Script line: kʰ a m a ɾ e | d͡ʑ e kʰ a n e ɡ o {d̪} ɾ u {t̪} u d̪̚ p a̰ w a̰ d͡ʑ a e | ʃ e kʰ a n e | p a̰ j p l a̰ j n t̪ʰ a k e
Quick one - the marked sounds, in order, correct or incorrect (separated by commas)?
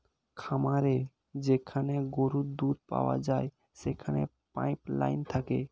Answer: incorrect, incorrect